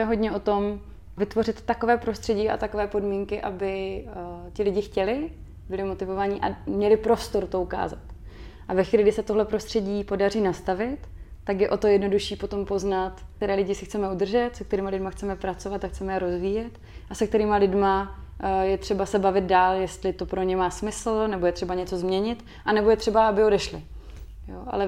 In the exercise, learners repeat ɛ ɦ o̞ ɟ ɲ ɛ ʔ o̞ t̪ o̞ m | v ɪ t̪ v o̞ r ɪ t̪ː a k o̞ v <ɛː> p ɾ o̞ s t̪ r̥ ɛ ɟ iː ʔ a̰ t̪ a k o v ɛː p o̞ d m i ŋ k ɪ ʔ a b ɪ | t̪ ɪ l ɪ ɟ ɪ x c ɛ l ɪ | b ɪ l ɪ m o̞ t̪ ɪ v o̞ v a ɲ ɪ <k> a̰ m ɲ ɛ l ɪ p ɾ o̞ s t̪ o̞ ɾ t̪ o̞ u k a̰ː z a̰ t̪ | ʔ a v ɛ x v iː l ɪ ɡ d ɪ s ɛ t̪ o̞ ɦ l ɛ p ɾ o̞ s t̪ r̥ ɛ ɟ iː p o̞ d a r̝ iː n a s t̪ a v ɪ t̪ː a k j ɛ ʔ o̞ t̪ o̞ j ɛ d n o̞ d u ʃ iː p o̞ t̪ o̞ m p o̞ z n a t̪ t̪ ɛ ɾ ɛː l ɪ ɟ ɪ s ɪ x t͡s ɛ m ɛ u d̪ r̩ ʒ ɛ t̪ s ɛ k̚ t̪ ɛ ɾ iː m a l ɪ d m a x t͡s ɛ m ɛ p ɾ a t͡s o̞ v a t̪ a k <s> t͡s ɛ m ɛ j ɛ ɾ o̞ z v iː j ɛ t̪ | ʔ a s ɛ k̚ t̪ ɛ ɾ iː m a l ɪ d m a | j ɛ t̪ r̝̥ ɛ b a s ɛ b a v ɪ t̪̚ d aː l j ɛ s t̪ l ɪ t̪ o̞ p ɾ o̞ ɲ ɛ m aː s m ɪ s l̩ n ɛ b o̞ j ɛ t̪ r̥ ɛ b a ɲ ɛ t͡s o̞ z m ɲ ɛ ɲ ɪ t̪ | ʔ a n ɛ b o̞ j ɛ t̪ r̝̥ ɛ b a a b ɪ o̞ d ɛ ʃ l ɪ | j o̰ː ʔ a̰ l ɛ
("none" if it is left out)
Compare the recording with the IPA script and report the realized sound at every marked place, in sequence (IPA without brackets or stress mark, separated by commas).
ɛː, ʔ, x